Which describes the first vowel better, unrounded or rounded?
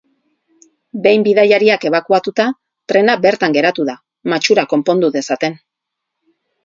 unrounded